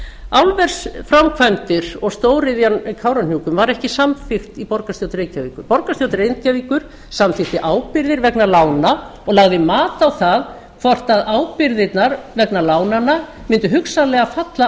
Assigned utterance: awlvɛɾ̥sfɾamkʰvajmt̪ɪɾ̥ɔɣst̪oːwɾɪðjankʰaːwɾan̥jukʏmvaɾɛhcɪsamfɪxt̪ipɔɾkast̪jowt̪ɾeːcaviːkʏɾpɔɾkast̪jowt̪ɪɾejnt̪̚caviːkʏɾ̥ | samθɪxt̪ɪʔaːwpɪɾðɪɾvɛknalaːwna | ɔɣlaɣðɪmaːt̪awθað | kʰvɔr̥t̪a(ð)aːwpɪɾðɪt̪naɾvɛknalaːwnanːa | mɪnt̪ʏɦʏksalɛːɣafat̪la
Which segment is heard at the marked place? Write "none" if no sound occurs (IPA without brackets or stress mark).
ð